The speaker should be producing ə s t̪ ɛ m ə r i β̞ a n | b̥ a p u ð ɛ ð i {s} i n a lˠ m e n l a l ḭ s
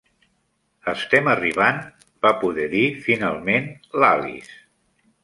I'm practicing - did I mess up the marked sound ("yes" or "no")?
yes